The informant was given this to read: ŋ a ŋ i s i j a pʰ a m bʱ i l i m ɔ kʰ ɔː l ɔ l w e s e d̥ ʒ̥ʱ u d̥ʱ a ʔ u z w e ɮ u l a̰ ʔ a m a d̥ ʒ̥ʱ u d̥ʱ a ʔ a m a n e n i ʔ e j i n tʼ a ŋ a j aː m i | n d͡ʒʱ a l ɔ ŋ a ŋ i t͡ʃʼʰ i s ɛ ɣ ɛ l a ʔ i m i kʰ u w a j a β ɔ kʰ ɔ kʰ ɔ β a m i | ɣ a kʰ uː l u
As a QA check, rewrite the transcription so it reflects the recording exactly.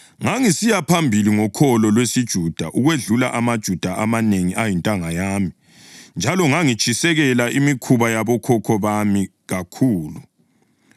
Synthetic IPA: ŋ a ŋ i s i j a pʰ a m bʱ i l i ŋ ɔ kʰ ɔ l ɔ l w e s i d̥ ʒ̥ʱ u d̥ʱ a ʔ u ɣ w e ɮ u l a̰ ʔ a m a d̥ ʒ̥ʱ u d̥ʱ a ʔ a m a n e ŋ i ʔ a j i n tʼ a ŋ a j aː m i | n d͡ʒʱ a l ɔ ŋ a ŋ i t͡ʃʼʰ i s ɛ ɣ ɛ l a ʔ i m i kʰ u β a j a β ɔ kʰ ɔ kʰ ɔ β a m i | ɣ a kʰ uː l u